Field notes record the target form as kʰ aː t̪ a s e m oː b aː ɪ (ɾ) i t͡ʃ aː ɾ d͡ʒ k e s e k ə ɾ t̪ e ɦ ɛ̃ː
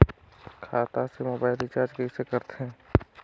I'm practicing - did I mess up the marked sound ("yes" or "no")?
yes